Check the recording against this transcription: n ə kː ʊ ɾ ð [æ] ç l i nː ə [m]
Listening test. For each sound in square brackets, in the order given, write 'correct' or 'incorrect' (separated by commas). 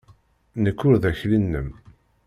correct, correct